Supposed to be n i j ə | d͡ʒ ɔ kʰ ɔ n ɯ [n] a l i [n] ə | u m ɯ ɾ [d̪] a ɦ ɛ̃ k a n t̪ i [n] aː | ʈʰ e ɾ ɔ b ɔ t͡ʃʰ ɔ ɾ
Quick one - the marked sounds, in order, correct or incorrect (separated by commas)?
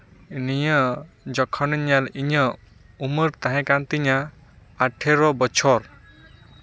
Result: incorrect, incorrect, incorrect, incorrect